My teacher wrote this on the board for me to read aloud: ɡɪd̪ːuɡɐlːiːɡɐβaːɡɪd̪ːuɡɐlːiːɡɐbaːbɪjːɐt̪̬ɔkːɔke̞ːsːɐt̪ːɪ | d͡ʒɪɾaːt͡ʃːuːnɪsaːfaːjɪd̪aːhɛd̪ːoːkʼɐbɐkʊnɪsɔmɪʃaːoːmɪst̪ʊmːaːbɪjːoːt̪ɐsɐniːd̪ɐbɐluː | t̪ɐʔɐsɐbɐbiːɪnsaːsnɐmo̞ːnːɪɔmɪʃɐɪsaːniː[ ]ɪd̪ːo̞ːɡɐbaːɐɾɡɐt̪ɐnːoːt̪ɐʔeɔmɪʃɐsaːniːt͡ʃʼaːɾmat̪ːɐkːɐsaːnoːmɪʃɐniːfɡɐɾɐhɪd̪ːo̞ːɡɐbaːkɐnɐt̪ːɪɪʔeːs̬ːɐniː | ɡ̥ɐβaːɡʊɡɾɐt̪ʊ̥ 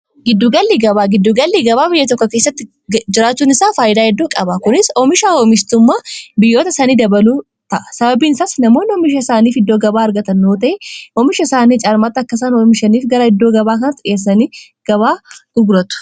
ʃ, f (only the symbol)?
f